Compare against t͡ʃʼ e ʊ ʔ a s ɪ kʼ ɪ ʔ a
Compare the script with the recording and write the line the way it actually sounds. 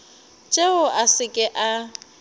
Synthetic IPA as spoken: t͡ʃʼ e ʊ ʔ a s ɪ kʼ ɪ ʔ a